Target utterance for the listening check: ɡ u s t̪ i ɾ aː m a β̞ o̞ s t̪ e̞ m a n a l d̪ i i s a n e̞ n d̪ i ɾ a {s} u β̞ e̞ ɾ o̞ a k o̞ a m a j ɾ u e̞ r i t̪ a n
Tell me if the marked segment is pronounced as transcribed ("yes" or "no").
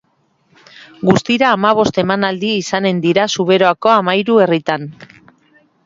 yes